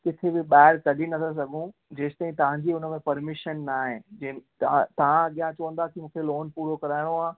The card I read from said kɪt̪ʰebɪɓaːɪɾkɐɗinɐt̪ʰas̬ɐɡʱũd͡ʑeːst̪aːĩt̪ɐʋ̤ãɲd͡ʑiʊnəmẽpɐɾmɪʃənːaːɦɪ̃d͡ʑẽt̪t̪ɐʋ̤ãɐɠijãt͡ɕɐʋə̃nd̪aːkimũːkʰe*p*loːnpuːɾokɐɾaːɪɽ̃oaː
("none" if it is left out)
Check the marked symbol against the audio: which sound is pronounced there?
none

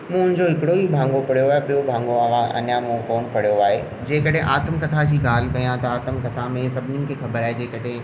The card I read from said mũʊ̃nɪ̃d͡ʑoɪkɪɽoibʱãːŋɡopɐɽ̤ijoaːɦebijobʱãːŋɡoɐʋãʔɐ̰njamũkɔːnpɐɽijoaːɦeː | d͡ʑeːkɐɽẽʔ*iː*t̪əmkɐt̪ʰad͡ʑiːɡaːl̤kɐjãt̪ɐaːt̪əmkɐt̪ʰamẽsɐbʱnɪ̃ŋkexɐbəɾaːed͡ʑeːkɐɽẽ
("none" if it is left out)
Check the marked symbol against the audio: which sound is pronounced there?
aː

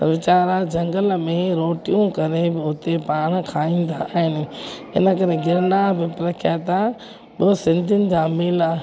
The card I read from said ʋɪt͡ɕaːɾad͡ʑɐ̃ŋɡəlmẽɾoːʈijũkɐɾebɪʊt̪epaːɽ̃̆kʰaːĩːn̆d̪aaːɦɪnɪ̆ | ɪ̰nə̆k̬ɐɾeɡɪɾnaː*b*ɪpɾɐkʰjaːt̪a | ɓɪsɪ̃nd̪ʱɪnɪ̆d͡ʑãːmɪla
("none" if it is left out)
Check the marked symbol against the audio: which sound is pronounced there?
b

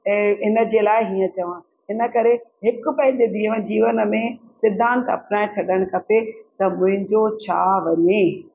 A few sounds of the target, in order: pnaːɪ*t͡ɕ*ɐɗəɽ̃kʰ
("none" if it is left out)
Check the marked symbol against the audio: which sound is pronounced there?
t͡ɕʰ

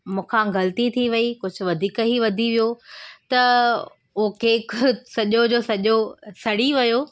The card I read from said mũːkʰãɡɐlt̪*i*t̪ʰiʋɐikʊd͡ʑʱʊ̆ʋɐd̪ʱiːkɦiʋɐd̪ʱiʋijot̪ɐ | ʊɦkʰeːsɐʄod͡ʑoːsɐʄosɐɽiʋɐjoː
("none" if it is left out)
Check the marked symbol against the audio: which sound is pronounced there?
i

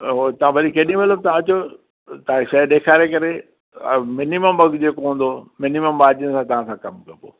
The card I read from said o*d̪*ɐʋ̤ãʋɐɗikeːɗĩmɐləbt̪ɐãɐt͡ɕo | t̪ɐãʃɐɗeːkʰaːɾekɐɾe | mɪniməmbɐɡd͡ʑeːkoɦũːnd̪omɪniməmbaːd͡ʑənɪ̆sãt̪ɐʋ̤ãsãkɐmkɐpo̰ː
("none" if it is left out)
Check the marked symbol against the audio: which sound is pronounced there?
t̪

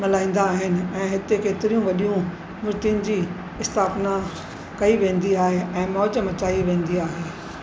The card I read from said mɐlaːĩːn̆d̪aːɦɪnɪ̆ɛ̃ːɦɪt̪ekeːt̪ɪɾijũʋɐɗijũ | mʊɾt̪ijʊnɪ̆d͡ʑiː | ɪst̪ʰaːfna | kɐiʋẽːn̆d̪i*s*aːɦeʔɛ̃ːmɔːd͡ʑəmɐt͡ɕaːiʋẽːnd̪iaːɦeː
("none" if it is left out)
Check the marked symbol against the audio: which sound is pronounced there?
none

